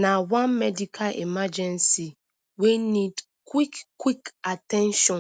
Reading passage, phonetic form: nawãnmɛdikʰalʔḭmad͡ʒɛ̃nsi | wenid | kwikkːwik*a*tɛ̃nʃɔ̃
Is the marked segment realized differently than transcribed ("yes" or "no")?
no